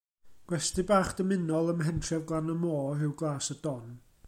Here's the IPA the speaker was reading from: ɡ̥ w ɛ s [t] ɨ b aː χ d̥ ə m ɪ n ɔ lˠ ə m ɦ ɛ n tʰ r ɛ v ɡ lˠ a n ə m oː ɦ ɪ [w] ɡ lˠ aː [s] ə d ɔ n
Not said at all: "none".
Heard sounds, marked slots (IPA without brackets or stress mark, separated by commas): t, w, s